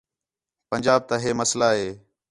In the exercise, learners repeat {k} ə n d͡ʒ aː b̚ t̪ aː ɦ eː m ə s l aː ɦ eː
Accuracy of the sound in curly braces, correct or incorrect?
incorrect